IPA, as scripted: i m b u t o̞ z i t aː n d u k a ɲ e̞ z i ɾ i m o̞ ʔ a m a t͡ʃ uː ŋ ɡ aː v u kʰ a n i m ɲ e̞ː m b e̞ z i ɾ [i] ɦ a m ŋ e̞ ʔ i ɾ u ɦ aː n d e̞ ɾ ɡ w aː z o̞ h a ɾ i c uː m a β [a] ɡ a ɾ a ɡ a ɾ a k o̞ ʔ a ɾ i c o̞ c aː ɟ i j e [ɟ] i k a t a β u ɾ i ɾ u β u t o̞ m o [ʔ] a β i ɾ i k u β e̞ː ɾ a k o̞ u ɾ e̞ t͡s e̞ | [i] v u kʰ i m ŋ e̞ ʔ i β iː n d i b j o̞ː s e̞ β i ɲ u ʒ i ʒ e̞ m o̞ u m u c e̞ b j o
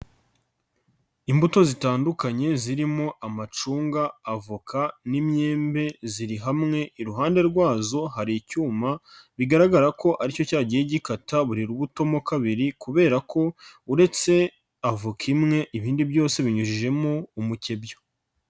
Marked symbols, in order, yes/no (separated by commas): yes, no, yes, no, no